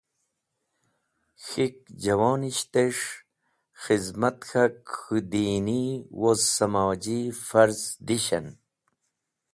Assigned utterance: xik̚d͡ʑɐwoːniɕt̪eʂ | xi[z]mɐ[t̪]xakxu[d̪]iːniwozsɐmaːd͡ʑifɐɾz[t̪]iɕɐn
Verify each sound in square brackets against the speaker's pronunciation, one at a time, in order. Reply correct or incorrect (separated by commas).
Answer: correct, correct, correct, incorrect